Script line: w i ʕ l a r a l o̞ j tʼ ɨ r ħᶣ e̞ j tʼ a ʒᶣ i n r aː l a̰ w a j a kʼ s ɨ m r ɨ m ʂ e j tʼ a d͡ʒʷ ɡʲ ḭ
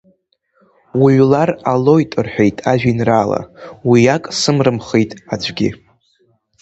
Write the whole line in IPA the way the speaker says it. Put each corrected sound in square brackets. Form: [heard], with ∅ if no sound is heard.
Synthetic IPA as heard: w i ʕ l a r a l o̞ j tʼ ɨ r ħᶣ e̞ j tʼ a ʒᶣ i n r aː l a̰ w [i] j a kʼ s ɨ m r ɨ m [χ] e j tʼ a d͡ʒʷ ɡʲ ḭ